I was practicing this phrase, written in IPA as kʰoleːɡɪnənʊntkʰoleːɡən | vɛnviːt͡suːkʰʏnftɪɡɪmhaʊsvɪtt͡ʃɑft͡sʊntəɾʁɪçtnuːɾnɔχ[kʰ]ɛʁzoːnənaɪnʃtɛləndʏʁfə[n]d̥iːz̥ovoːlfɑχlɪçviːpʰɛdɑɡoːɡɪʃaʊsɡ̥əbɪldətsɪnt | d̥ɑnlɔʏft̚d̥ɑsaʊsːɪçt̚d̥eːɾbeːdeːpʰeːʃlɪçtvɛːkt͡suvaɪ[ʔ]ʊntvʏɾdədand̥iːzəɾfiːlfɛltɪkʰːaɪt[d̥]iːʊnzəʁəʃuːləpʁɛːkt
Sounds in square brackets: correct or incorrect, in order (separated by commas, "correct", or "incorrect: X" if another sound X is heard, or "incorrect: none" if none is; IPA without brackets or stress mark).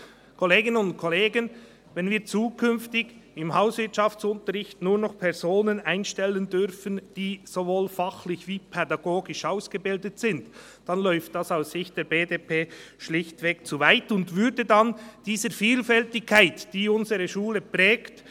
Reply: incorrect: pʰ, correct, incorrect: t, correct